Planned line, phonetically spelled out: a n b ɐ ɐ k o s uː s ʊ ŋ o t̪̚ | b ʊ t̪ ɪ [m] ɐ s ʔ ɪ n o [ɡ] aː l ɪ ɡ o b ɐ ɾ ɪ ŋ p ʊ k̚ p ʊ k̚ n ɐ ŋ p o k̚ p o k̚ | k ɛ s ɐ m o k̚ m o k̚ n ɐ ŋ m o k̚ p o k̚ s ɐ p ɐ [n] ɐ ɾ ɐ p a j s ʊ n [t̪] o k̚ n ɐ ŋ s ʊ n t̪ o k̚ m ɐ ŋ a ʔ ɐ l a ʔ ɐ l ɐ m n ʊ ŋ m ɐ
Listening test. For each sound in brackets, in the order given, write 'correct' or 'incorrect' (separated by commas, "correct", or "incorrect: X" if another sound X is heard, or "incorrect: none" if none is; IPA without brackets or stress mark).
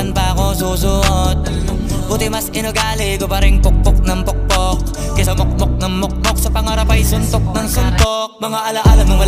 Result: correct, correct, incorrect: ŋ, correct